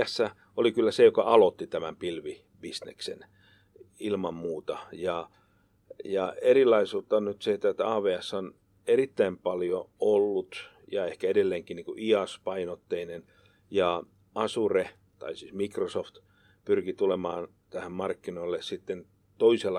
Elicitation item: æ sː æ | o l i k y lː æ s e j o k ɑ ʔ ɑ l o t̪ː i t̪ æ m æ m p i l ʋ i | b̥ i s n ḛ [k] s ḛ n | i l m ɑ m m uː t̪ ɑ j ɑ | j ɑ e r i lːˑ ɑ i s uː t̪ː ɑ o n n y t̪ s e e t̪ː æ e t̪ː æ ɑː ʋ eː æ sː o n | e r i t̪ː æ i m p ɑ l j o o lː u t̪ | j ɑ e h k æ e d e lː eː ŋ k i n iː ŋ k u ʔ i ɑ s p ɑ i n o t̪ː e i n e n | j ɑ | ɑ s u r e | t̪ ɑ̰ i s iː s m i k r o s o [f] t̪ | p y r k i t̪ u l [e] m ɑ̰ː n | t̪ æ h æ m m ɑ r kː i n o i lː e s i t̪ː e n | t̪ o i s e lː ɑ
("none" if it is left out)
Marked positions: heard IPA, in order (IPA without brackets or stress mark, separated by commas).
k, f, e